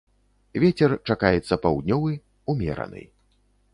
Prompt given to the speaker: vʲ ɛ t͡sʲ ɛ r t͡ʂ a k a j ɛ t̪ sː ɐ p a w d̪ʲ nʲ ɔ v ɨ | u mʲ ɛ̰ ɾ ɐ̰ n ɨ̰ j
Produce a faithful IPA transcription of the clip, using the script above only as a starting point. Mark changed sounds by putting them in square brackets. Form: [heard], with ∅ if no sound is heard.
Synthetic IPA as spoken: vʲ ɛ t͡sʲ ɛ r t͡ʂ a k a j ɛ t̪ sː ɐ p a w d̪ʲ nʲ ɔ v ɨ | u mʲ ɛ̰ ɾ ɐ̰ n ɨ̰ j